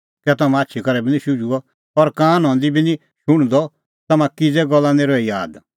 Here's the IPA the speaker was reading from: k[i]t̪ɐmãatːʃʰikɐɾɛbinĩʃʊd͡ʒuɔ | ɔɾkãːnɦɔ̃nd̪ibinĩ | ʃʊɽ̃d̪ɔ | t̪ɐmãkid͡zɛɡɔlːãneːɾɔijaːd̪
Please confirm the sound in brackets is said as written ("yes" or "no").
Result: no